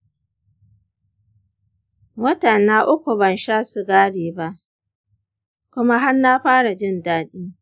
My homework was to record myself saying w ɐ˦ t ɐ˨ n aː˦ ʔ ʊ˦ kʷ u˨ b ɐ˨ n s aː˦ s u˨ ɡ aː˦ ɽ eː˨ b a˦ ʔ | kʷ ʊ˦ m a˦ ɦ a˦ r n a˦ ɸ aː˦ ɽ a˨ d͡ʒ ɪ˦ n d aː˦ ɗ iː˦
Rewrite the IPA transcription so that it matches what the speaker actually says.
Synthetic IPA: w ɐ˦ t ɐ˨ n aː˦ ʔ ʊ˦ kʷ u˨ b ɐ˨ n ʃ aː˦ s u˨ ɡ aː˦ ɽ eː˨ b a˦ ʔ | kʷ ʊ˦ m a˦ ɦ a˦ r n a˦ ɸ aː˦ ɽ a˨ d͡ʒ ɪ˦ n d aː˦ ɗ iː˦